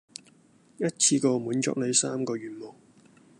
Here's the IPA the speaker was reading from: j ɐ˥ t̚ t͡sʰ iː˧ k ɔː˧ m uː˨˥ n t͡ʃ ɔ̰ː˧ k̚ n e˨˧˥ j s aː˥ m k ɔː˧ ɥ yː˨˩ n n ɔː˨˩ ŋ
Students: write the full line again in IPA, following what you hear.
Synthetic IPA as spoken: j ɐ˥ t̚ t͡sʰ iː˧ k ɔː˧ m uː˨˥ n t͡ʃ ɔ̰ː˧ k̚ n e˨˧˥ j s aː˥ m k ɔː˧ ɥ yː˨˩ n m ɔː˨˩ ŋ